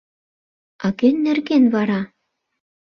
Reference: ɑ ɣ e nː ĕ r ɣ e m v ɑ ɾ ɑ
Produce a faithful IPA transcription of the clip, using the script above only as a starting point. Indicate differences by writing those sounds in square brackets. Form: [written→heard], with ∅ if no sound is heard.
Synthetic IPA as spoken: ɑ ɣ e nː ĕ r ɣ e [m→n] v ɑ ɾ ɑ